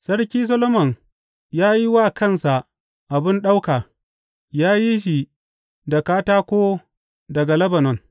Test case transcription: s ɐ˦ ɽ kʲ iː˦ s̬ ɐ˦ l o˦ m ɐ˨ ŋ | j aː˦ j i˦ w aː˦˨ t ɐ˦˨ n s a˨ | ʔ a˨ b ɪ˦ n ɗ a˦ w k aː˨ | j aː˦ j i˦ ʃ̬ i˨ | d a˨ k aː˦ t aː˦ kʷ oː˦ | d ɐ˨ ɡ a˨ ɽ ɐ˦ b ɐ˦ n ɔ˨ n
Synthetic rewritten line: s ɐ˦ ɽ kʲ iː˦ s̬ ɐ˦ l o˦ m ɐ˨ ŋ | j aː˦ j i˦ w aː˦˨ k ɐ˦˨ n s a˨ | ʔ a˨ b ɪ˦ n ɗ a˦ w k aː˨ | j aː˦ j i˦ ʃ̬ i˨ | d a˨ k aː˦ t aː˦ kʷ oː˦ | d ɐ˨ ɡ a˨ l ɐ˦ b ɐ˨ n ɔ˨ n